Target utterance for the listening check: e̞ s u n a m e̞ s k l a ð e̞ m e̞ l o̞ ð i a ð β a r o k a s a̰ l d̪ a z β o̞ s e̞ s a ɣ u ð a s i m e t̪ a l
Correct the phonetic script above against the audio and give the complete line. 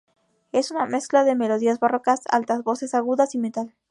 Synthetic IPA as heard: e̞ s u n a m e̞ s k l a ð e̞ m e̞ l o̞ ð i a z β a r o k a s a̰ l t̪ a z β o̞ s e̞ s a ɣ u ð a s i m e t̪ a l